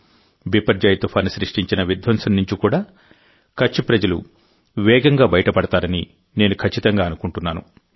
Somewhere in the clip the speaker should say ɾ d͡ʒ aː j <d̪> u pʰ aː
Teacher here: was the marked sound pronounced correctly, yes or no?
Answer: no